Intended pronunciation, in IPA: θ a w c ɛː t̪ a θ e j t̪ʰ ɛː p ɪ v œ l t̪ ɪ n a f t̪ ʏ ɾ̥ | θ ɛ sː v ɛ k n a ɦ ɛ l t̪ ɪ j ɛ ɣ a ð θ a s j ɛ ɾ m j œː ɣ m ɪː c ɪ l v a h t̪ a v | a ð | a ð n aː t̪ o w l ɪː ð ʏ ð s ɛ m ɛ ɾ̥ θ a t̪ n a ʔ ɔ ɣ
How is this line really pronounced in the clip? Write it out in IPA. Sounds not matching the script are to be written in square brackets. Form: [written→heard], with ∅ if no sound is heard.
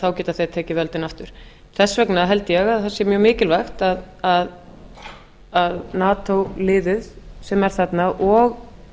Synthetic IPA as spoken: θ a w c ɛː t̪ a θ e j t̪ʰ ɛː [p→c] ɪ v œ l t̪ ɪ n a f t̪ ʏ ɾ̥ | θ ɛ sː v ɛ k n a ɦ ɛ l t̪ ɪ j ɛ ɣ a ð θ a s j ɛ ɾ m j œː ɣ m ɪː c ɪ l v a [h→x] t̪ a [v→ð] | a ð | a ð n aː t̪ o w l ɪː ð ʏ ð s ɛ m ɛ ɾ̥ θ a t̪ n a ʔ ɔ ɣ